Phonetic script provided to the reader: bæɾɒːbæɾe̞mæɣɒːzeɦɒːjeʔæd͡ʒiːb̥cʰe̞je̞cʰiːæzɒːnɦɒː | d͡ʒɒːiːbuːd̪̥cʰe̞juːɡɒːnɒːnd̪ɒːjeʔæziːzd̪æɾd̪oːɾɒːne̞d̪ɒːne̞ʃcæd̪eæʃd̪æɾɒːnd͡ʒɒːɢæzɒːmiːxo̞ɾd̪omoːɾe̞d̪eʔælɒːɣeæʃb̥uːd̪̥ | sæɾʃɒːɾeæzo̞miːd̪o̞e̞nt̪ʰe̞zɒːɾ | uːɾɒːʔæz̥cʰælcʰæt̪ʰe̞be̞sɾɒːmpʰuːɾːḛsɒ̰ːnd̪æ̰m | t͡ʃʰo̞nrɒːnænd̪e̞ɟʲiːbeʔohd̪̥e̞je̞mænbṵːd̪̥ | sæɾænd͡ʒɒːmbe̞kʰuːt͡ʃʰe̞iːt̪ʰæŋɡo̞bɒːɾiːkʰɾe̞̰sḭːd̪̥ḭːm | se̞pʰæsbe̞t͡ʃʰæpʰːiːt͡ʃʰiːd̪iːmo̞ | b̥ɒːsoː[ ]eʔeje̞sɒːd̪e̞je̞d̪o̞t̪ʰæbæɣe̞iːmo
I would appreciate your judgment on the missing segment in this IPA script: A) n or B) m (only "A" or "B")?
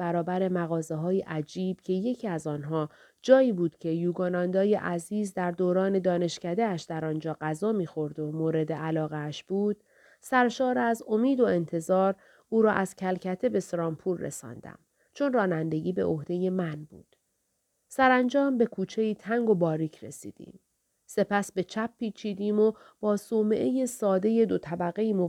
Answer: B